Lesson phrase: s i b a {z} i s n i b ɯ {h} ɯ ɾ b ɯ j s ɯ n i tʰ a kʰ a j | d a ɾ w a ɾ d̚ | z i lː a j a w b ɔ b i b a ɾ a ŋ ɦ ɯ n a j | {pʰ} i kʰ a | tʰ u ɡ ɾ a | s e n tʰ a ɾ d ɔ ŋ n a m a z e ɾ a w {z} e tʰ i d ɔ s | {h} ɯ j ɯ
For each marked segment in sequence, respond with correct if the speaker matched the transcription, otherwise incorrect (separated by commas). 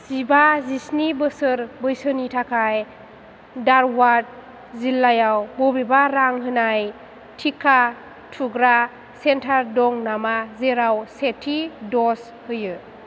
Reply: correct, incorrect, incorrect, incorrect, correct